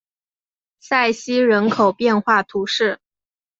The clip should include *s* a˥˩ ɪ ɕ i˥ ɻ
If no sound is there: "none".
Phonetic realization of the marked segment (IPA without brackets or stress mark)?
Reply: s